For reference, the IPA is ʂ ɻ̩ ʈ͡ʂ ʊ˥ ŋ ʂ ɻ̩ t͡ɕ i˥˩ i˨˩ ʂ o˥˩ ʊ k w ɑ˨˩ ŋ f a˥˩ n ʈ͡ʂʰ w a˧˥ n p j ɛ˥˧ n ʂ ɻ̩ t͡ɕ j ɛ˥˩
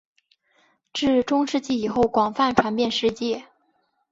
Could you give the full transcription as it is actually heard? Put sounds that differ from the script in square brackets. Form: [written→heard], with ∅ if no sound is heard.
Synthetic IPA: [ʂ→ʈ͡ʂ] ɻ̩ ʈ͡ʂ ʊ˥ ŋ ʂ ɻ̩ t͡ɕ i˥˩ i˨˩ [ʂ→x] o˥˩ ʊ k w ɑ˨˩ ŋ f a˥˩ n ʈ͡ʂʰ w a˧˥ n p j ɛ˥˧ n ʂ ɻ̩ t͡ɕ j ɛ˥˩